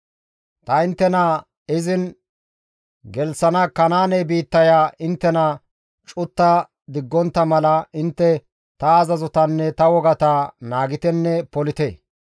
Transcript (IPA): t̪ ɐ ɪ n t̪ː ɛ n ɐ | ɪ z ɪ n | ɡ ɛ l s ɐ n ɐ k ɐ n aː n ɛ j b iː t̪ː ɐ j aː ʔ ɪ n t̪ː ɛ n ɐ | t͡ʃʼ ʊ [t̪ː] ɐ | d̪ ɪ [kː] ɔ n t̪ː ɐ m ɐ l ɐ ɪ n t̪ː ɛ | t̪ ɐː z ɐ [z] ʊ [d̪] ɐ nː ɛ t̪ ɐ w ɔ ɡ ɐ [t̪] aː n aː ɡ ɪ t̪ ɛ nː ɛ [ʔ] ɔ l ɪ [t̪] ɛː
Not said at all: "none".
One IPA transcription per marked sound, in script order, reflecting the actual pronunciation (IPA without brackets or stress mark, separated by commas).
t̪ː, ɡː, z, t̪, t̪, p, t̪